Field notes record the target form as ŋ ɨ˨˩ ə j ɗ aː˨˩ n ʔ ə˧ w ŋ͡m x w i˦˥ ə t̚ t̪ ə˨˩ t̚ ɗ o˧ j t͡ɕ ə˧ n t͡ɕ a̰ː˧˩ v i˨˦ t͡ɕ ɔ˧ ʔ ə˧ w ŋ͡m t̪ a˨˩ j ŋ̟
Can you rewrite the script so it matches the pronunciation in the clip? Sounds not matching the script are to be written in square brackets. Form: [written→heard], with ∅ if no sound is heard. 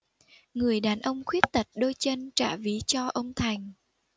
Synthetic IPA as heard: ŋ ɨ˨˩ ə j ɗ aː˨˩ n ʔ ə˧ w ŋ͡m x w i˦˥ ə t̚ t̪ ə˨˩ t̚ ɗ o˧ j t͡ɕ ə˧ n t͡ɕ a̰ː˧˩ v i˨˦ t͡ɕ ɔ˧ ʔ ə˧ w ŋ͡m [t̪→t̪ʰ] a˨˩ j ŋ̟